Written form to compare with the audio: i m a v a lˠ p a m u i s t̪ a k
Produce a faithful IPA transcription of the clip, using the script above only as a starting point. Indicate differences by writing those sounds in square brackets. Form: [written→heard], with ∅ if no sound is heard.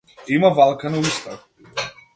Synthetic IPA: i m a v a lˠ [p→k] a [m→n] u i s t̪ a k

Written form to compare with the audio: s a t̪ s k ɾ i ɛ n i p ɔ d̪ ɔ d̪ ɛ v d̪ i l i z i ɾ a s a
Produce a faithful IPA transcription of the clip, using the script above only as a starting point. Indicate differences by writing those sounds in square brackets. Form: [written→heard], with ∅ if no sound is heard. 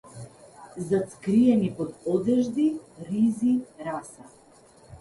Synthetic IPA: [s→z] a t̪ s k ɾ i ɛ n i p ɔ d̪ ɔ d̪ ɛ [v→ʒ] d̪ i [l→ɾ] i z i ɾ a s a

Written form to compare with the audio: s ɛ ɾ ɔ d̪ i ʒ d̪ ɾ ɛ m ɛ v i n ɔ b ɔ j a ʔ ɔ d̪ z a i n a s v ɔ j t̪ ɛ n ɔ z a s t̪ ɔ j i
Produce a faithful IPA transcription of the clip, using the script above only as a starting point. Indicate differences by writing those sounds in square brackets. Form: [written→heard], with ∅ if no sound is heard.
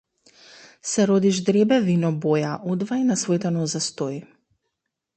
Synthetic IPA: s ɛ ɾ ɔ d̪ i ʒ d̪ ɾ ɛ [m→b] ɛ v i n ɔ b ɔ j a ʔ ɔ d̪ [z→v] a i n a s v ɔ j t̪ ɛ n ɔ z a s t̪ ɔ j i

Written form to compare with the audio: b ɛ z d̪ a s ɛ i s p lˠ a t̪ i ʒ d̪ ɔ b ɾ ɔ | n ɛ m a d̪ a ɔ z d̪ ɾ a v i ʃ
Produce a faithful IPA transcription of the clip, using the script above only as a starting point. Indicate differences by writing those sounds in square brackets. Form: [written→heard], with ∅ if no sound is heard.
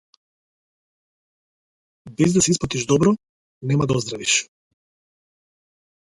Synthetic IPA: b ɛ z d̪ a s ɛ i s p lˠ a t̪ i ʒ d̪ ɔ b ɾ ɔ | n ɛ m a d̪ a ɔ z d̪ ɾ a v i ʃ

